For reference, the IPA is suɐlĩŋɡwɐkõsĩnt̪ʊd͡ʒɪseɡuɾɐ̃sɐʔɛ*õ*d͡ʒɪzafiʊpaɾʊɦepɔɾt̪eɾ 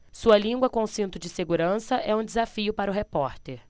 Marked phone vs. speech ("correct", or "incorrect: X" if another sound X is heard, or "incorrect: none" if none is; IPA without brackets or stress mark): incorrect: ũ